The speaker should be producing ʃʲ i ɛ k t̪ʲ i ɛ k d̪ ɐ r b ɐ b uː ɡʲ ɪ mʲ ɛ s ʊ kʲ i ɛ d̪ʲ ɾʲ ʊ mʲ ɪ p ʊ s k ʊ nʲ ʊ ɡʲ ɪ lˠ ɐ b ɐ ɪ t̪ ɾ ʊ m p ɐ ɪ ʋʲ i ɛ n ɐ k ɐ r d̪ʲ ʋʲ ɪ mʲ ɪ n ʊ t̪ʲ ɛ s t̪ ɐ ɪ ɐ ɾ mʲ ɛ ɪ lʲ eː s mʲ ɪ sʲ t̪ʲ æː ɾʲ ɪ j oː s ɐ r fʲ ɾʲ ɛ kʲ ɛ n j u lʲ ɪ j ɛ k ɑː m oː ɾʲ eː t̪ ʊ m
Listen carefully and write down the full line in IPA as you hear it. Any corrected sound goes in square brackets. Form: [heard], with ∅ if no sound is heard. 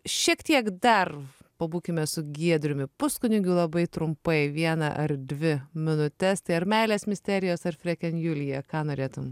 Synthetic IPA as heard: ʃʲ i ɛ k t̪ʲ i ɛ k d̪ ɐ r [p] ɐ b uː [kʲ] ɪ mʲ ɛ s ʊ [ɡʲ] i ɛ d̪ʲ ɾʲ ʊ mʲ ɪ p ʊ s k ʊ nʲ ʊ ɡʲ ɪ lˠ ɐ b ɐ ɪ t̪ ɾ ʊ m p ɐ ɪ ʋʲ i ɛ n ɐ [ʔ] ɐ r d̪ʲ ʋʲ ɪ mʲ ɪ n ʊ t̪ʲ ɛ s t̪ ɐ ɪ ɐ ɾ mʲ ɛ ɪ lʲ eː s mʲ ɪ sʲ t̪ʲ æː ɾʲ ɪ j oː s ɐ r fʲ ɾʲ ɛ kʲ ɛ n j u lʲ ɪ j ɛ k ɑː [n] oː ɾʲ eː t̪ ʊ m